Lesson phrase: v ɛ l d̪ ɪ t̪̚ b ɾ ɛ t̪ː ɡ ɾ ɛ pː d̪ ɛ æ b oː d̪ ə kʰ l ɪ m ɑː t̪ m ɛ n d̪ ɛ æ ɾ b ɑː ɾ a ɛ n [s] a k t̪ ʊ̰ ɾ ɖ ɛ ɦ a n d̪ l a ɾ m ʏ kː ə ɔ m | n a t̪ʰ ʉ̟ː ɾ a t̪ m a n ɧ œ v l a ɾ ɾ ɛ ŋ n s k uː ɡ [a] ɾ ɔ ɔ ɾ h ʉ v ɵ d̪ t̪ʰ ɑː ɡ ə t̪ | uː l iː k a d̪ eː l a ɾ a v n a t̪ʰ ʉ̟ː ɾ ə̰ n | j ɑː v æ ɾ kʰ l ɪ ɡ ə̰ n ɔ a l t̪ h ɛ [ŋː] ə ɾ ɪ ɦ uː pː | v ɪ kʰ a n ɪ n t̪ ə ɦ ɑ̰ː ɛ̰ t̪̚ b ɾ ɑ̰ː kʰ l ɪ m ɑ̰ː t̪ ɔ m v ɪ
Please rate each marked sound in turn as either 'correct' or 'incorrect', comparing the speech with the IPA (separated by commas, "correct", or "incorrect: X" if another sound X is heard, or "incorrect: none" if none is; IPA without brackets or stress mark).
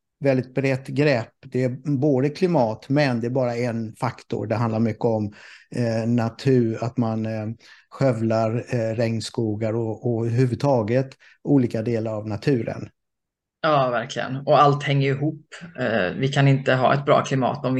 incorrect: f, correct, correct